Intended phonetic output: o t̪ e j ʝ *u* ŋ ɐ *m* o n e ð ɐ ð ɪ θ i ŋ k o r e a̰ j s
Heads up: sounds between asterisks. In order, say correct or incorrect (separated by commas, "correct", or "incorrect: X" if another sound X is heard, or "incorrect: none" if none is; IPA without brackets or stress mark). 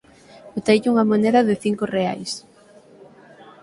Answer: correct, correct